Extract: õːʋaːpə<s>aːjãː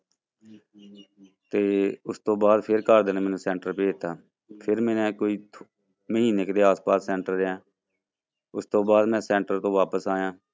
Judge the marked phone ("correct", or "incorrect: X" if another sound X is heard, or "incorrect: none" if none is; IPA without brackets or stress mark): correct